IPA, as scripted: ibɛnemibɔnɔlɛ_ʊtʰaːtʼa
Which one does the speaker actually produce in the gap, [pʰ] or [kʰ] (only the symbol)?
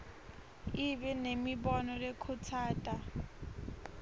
kʰ